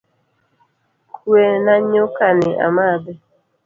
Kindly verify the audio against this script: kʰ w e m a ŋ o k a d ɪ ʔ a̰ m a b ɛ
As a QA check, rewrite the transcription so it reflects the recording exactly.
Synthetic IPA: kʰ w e n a ɲ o k a n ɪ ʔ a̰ m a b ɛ